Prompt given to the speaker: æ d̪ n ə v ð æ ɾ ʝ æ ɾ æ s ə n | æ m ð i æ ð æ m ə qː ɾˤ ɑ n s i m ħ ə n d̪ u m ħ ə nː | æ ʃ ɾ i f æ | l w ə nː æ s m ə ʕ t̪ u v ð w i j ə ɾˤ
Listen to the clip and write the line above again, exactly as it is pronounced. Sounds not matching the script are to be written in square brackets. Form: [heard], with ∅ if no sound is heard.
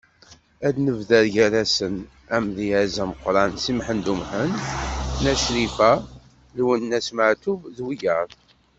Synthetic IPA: æ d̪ n ə v ð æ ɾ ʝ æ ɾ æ s ə n | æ m ð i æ [z] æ m ə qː ɾˤ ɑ n s i m ħ ə n d̪ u m ħ ə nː | æ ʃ ɾ i f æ | l w ə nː æ s m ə ʕ t̪ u v ð w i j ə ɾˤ